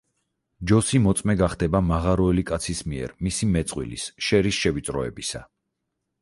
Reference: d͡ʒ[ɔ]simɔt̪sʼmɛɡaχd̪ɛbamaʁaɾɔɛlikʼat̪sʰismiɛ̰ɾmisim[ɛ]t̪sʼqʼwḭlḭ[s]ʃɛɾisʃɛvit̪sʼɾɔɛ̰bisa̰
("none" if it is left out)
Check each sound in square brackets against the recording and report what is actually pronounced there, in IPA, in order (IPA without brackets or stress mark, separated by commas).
ɔ, ɛ, s